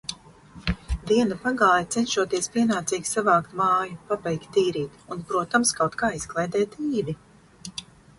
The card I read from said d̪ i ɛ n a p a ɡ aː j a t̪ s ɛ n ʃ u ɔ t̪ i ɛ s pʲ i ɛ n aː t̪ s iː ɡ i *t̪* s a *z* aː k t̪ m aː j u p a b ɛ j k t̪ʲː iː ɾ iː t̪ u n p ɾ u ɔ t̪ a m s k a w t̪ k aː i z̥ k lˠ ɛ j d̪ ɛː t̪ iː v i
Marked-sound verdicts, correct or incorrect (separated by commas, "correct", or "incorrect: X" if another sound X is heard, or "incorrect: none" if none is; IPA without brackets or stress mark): incorrect: none, incorrect: v